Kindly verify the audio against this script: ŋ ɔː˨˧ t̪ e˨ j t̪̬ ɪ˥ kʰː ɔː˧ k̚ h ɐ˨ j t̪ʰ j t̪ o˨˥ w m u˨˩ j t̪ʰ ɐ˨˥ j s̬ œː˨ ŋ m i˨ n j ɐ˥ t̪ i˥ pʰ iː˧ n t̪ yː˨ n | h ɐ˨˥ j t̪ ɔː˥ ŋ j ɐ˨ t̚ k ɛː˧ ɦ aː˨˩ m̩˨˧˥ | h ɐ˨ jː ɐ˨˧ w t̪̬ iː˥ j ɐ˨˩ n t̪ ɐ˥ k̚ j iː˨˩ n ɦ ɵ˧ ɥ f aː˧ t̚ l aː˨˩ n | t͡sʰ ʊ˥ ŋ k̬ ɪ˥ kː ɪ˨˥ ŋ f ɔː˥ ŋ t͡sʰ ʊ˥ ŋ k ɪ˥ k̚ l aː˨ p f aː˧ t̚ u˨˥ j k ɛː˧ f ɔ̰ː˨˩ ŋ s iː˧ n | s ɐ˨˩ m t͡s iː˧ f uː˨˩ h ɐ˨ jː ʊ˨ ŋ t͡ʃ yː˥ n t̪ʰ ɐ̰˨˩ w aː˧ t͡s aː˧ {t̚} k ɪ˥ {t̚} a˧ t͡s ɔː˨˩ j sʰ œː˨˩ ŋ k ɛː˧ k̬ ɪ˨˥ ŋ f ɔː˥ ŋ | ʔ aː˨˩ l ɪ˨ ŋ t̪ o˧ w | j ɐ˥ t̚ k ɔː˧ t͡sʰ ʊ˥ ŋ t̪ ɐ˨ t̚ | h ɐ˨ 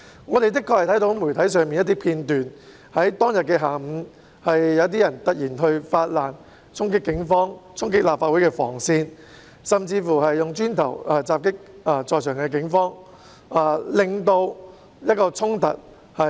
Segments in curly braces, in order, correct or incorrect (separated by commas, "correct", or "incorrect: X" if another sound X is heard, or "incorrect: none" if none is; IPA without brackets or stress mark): incorrect: p̚, incorrect: k̚